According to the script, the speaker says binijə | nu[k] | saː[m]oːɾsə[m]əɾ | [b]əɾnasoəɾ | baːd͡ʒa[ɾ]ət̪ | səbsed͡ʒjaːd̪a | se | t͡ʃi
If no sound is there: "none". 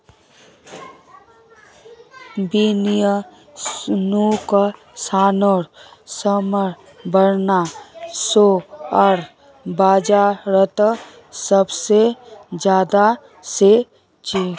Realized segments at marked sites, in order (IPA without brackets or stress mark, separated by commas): k, n, m, b, ɾ